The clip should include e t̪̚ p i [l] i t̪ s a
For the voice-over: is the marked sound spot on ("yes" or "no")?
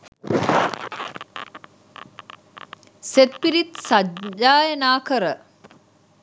no